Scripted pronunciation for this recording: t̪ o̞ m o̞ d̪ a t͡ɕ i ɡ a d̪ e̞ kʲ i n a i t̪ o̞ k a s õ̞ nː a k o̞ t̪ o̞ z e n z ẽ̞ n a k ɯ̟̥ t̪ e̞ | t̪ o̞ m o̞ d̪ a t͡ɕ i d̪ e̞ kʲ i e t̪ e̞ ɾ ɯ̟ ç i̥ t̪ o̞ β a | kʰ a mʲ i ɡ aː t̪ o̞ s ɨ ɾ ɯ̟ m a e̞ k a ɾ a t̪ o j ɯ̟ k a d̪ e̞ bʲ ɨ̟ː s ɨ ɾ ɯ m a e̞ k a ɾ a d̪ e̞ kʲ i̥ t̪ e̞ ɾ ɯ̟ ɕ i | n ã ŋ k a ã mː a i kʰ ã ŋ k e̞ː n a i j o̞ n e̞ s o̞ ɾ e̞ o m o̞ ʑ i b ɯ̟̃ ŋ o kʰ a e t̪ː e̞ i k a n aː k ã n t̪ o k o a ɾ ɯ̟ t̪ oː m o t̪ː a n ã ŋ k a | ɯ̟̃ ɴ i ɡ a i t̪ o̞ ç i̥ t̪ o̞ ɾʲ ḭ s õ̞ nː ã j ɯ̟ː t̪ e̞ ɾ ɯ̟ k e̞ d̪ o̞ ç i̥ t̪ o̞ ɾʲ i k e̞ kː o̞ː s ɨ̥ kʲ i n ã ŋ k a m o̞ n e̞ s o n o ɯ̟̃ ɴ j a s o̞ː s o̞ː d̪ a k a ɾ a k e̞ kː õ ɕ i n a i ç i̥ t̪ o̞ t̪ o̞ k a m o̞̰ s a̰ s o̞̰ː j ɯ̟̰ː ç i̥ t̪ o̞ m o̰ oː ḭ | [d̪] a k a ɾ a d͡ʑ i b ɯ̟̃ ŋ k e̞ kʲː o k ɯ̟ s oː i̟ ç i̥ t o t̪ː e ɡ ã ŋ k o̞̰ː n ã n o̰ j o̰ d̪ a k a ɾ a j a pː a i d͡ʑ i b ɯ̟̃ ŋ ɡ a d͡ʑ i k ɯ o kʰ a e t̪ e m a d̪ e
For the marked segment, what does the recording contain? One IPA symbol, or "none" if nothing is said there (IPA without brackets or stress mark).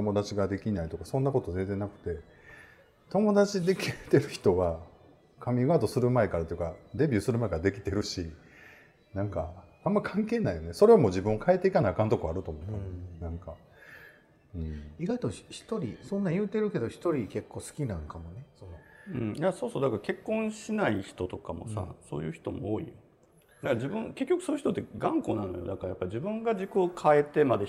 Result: d̪